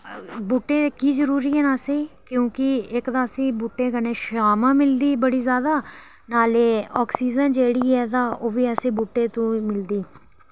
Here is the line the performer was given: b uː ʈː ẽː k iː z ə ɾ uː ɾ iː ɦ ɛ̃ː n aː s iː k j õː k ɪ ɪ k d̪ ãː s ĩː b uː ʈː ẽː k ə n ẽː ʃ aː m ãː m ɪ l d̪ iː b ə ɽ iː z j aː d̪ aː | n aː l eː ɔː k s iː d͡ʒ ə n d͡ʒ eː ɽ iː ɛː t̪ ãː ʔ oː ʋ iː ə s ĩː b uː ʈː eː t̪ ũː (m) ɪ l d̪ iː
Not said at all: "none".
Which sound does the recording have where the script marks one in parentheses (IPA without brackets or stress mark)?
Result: m